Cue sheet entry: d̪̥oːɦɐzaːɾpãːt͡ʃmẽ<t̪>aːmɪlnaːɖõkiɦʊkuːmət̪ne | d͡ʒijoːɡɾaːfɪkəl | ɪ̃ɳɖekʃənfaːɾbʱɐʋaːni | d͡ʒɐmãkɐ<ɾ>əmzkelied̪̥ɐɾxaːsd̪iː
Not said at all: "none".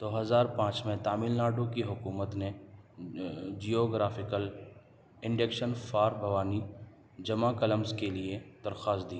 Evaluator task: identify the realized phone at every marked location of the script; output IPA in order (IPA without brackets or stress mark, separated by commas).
t̪, l